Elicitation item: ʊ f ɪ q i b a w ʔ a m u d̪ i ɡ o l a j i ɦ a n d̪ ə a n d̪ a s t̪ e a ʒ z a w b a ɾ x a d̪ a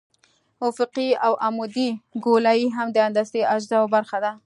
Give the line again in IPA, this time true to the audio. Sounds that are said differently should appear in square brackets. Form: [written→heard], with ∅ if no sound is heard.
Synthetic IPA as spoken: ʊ f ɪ q i [b→∅] a w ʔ a m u d̪ i ɡ o l a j i ɦ a [n→m] d̪ ə a n d̪ a s t̪ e a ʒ z a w b a ɾ x a d̪ a